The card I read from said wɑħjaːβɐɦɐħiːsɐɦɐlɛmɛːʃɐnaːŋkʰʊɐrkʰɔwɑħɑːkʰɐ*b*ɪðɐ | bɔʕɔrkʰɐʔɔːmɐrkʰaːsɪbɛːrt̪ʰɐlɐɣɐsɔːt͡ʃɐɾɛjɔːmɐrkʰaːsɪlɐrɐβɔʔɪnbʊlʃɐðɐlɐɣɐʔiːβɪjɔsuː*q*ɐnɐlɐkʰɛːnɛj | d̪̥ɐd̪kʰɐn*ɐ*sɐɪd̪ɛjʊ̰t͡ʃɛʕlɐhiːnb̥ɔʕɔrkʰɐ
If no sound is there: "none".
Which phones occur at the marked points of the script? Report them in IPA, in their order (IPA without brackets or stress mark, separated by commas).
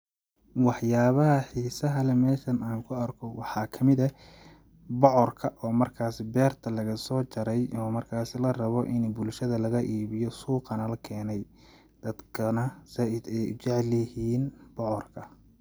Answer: m, q, ɐ